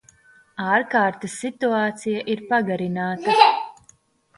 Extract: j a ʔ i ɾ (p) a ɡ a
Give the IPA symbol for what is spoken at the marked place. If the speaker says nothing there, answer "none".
p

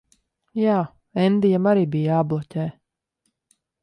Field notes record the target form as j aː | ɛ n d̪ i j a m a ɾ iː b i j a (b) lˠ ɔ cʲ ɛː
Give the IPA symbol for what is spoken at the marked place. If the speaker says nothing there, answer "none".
b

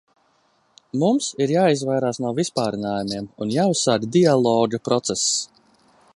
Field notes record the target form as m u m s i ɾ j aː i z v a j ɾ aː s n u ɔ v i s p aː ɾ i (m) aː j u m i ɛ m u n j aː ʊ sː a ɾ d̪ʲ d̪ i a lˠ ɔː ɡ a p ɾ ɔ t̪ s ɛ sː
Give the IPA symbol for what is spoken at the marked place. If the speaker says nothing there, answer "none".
n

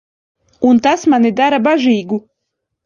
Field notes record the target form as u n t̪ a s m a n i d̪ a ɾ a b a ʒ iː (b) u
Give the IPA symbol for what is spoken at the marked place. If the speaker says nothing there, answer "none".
ɡ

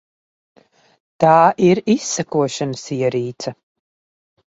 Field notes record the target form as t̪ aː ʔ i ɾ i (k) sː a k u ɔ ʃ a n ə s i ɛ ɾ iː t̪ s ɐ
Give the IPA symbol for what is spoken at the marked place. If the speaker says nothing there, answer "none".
none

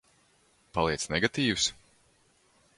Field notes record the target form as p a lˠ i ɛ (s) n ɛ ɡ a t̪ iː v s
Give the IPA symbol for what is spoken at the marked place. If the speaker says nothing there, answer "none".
s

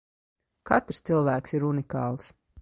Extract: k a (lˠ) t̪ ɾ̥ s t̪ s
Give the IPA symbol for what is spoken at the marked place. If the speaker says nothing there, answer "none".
none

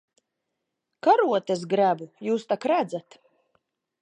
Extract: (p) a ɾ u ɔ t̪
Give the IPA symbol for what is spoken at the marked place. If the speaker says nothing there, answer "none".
k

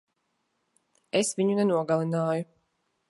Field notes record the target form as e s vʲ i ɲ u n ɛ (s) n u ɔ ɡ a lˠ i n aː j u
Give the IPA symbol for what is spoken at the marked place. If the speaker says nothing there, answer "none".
none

